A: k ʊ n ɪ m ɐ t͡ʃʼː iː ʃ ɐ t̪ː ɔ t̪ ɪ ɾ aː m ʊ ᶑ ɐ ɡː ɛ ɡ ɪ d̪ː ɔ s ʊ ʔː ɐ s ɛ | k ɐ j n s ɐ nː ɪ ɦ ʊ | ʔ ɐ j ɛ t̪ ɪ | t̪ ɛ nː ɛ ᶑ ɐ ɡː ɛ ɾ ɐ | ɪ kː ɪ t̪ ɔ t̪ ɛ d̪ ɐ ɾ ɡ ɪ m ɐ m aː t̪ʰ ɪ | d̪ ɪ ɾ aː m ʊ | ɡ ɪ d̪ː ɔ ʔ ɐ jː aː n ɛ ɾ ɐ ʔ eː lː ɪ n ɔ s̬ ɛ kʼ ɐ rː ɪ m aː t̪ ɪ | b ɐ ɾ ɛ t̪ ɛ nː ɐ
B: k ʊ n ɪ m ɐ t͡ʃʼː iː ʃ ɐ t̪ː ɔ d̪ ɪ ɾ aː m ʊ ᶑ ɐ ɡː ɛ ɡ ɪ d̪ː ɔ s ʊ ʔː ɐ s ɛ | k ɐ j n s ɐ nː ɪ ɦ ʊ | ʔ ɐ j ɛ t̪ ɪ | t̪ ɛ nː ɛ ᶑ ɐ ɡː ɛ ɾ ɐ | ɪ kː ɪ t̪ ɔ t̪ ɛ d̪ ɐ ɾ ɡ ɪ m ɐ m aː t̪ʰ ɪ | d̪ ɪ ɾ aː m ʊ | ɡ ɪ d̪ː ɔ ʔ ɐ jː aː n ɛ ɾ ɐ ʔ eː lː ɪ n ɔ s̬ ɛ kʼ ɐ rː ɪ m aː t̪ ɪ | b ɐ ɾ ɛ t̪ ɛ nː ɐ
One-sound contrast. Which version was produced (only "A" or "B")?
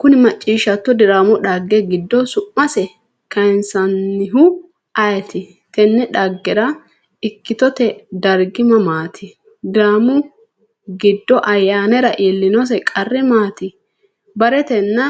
B